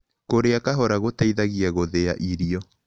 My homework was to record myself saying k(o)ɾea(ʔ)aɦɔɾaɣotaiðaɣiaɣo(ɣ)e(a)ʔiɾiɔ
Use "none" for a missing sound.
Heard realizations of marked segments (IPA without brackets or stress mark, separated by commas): o, k, ð, a